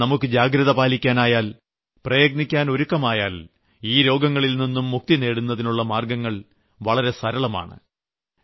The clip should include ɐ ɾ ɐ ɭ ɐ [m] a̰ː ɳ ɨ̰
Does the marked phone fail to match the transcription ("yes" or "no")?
no